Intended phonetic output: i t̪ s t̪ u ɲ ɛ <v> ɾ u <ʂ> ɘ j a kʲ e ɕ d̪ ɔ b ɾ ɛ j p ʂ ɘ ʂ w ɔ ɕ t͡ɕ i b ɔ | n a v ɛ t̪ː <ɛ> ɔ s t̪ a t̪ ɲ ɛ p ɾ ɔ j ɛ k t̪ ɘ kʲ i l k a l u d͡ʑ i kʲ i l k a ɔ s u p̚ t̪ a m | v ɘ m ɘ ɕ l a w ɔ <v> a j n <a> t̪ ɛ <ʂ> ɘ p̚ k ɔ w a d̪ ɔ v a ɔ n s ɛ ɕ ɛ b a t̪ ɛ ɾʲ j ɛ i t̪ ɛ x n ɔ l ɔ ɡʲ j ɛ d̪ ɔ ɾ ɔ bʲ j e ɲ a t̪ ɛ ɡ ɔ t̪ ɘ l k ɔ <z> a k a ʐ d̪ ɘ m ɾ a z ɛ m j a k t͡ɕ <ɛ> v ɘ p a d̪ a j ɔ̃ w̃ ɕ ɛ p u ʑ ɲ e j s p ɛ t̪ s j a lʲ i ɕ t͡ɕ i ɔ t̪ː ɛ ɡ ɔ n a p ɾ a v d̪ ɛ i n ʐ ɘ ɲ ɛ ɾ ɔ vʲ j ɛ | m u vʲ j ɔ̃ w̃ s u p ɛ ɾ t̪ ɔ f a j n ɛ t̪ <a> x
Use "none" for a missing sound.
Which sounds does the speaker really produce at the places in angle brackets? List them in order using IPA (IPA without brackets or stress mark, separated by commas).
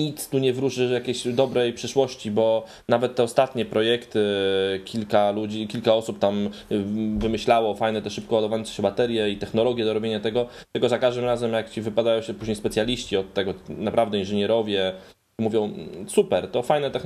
v, ʂ, ɛ, f, ɛ, ʂ, z, i, ɛ